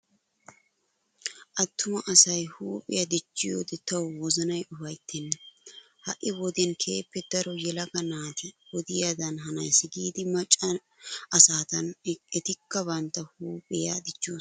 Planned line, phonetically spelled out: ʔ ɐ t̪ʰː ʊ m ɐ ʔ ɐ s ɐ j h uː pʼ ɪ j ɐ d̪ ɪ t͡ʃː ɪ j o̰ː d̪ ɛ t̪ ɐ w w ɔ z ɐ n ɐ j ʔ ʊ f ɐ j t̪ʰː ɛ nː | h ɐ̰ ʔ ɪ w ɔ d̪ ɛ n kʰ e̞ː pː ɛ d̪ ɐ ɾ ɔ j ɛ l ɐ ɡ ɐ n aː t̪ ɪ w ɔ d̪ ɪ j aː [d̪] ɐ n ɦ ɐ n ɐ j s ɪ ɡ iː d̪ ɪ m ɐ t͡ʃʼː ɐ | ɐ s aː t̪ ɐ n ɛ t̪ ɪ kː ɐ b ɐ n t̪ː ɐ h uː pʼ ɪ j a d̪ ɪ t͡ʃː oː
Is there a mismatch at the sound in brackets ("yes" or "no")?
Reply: no